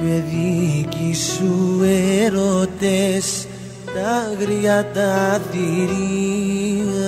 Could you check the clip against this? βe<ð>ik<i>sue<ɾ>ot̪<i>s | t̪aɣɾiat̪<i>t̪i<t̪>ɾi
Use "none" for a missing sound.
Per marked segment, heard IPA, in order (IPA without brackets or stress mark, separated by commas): ð, i, ɾ, e, a, none